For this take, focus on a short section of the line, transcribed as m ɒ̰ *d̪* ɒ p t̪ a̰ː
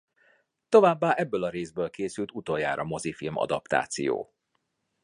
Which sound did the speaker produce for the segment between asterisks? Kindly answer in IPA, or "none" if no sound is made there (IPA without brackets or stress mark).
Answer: d̪